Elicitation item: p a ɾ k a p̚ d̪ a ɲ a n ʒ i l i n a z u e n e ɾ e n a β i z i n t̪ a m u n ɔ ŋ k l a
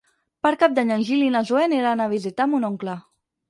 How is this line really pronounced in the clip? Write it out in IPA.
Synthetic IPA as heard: p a ɾ k a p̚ d̪ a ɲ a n ʒ i l i n a z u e n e ɾ a n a β i z i t̪ a m u n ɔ ŋ k l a